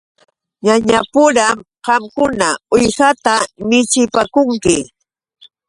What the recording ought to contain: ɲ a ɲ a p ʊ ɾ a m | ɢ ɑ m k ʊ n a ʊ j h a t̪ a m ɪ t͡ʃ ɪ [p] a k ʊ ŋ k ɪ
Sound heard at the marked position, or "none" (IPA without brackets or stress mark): p